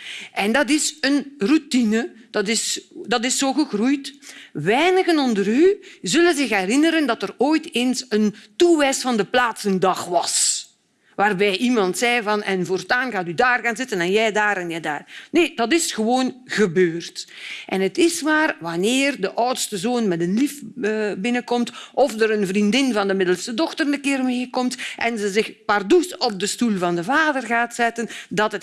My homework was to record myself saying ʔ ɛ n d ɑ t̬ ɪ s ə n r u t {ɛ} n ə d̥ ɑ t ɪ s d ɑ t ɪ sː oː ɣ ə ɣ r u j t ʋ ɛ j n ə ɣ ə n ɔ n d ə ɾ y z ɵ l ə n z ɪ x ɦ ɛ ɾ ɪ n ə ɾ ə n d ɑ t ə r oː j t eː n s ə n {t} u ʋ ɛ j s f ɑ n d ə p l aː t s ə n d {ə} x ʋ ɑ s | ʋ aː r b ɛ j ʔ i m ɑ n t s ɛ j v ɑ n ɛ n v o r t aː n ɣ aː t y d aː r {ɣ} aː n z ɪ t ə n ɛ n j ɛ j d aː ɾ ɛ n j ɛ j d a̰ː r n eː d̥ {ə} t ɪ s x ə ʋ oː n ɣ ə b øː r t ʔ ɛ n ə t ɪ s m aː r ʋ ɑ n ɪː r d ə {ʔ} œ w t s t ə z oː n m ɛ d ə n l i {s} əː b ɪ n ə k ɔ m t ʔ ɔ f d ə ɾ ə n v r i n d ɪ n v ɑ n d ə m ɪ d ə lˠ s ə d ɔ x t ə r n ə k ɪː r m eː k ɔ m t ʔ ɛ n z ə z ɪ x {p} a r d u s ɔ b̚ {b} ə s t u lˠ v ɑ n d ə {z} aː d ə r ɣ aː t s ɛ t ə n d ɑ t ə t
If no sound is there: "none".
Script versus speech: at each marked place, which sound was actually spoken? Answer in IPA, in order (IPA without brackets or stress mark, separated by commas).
i, t, ɑ, ɣ, ɑ, ʔ, f, p, d, v